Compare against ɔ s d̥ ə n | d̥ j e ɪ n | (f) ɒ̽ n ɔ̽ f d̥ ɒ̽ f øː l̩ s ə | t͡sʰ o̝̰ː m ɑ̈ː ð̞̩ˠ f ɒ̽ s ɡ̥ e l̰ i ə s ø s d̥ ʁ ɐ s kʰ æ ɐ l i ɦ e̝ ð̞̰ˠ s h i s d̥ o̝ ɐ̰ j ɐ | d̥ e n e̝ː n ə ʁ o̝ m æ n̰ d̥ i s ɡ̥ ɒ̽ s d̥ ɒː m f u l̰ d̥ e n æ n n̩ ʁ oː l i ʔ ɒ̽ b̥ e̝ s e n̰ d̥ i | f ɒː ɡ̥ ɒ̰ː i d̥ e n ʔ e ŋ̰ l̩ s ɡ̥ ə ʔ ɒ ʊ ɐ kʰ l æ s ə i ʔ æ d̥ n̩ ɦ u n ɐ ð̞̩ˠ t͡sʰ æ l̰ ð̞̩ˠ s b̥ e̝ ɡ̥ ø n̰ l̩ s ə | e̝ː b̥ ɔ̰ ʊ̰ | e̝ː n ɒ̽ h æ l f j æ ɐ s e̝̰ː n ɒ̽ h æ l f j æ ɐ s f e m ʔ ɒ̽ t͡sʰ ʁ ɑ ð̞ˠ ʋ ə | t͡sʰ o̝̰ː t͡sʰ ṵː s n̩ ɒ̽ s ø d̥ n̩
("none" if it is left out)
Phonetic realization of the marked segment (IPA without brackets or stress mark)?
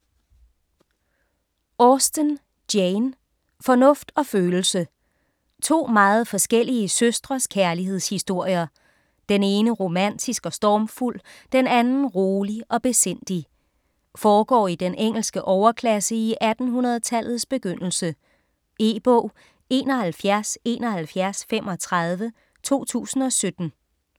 f